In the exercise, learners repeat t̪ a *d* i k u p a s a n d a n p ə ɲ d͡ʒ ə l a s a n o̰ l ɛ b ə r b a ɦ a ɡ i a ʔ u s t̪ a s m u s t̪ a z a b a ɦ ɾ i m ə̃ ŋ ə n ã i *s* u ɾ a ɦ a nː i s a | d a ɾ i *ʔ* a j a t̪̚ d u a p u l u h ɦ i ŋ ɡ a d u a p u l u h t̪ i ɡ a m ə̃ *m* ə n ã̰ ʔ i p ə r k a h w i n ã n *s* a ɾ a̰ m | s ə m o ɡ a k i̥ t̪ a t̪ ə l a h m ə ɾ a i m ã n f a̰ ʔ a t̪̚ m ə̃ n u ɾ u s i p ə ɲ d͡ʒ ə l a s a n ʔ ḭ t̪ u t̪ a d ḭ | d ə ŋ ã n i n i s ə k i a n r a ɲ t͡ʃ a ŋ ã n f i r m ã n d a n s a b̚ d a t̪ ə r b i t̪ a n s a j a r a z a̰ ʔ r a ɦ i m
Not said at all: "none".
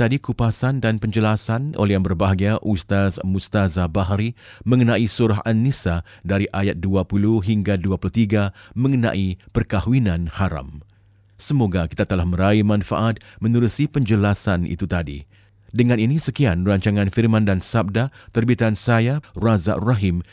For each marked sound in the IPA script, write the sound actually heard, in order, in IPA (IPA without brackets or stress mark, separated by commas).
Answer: d, s, ʔ, ŋ, h